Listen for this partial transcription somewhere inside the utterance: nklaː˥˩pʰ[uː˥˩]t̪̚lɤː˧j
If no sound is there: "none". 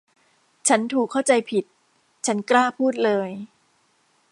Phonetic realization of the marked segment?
uː˥˩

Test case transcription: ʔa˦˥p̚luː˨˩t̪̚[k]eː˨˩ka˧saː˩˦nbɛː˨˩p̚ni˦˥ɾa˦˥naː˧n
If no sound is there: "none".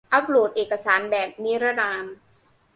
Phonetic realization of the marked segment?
ʔ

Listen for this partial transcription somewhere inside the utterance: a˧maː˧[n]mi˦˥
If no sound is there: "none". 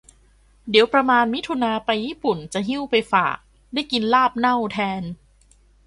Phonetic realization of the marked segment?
n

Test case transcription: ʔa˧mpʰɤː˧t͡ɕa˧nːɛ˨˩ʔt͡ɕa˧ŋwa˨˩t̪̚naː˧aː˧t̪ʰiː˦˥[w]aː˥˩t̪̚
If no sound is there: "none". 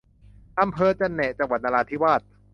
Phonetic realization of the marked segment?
w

